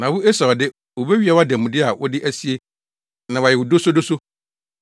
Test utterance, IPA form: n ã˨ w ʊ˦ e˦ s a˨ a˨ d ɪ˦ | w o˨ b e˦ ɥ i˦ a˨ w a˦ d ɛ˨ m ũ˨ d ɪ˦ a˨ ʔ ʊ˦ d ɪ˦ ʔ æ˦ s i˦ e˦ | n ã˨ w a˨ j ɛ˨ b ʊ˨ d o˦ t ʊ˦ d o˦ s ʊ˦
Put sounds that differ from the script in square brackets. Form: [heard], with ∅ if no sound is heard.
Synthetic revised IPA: n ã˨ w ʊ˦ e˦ s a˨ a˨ d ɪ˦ | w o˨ b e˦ ɥ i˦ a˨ w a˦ d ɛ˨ m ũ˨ d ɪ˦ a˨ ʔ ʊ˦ d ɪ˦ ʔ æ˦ s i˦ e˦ | n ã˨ w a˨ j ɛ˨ [w] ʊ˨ d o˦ [s] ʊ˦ d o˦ s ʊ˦